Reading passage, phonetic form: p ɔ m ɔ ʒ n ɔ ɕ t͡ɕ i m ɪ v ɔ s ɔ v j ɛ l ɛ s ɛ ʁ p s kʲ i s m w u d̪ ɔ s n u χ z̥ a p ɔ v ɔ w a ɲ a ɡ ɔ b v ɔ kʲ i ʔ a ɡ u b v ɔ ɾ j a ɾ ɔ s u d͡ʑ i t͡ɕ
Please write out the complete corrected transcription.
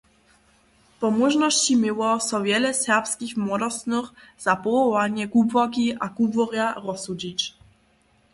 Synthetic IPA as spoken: p ɔ m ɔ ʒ n ɔ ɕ t͡ɕ i m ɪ w ɔ s ɔ v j ɛ l ɛ s ɛ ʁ p s kʲ i x m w ɔ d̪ ɔ s n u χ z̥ a p ɔ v ɔ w a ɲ ɛ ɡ u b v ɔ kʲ i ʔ a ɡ u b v ɔ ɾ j a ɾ ɔ s u d͡ʑ i t͡ɕ